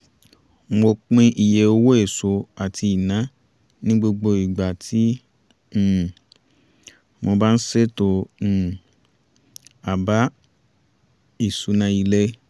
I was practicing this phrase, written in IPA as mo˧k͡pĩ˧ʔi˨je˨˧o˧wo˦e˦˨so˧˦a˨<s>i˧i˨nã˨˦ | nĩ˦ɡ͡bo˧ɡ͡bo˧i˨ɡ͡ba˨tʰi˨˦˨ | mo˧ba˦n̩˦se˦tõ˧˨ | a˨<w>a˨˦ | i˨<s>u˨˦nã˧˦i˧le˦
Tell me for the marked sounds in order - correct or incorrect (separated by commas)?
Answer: incorrect, incorrect, correct